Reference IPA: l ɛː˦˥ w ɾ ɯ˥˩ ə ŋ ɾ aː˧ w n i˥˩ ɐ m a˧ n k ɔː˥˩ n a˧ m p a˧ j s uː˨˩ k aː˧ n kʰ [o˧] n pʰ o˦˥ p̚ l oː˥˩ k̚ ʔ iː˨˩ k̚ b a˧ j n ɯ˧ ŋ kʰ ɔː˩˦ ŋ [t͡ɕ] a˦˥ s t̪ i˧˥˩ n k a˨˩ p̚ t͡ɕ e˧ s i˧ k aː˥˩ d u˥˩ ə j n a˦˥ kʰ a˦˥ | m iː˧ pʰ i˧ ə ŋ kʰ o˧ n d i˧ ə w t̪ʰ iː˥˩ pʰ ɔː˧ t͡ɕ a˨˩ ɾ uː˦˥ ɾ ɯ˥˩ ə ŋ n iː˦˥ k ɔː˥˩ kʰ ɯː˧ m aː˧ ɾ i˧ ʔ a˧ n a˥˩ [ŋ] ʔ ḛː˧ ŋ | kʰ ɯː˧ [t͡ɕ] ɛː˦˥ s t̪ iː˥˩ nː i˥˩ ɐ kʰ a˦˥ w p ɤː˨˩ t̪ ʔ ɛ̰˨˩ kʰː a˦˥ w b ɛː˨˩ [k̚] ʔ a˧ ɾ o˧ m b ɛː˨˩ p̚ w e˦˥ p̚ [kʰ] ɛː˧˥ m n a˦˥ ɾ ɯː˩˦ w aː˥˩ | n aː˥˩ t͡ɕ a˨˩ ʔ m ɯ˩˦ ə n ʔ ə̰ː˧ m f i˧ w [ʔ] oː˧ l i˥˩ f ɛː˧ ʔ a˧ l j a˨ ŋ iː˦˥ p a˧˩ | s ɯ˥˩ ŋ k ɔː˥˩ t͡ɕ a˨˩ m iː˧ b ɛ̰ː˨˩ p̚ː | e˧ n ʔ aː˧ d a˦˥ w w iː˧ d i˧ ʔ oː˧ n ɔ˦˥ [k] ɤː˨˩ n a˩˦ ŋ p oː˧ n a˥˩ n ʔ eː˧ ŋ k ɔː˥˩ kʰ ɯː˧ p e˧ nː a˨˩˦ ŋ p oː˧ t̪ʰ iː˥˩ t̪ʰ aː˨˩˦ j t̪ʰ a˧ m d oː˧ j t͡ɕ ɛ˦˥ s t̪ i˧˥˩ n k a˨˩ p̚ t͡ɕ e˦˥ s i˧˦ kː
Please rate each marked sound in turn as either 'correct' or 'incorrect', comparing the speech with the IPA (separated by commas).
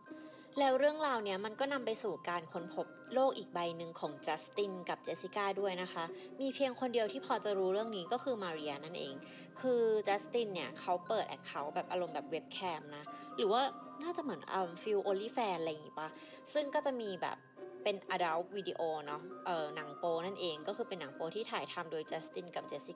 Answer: correct, correct, incorrect, correct, incorrect, correct, correct, incorrect